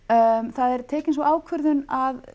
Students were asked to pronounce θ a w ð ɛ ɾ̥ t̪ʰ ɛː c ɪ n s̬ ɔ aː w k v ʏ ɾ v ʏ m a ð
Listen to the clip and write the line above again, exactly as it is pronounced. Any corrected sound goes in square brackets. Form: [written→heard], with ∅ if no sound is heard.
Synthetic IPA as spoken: θ a [w→∅] ð ɛ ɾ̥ t̪ʰ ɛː c ɪ n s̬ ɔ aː w [k→kʰ] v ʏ ɾ [v→ð] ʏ [m→n] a ð